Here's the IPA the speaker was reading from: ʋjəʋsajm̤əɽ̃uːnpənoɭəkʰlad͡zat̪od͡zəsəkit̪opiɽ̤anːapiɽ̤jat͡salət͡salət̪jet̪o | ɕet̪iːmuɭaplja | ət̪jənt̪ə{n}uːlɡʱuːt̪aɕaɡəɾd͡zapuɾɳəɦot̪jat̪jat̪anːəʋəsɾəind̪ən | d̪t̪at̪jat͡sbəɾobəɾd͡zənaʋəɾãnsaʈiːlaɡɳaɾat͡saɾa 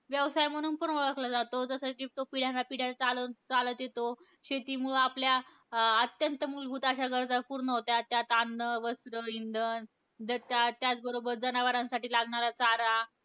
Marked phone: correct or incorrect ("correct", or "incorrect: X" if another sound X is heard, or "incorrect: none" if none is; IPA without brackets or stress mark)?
incorrect: m